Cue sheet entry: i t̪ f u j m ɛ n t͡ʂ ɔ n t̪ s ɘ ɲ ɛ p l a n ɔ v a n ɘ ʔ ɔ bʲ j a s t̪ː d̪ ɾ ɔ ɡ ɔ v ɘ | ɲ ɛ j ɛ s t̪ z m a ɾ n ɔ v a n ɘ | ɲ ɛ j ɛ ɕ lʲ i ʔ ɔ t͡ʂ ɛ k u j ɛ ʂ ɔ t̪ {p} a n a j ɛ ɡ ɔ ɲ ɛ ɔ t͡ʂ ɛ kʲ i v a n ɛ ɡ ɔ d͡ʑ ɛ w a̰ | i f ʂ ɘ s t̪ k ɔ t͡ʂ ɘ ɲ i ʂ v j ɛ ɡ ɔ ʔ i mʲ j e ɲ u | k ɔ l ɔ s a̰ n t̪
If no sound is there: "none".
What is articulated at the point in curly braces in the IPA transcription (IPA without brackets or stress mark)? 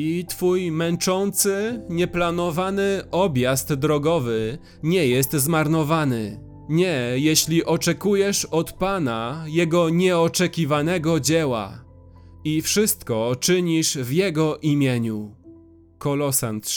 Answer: p